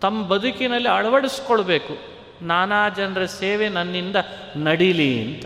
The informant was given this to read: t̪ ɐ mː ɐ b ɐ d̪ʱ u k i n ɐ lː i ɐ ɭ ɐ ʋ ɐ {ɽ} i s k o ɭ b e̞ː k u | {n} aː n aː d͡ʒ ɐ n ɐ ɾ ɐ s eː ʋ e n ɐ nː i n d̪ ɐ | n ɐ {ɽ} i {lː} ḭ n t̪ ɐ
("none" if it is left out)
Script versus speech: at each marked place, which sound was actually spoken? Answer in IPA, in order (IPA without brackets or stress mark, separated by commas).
ɽ, n, ɽ, l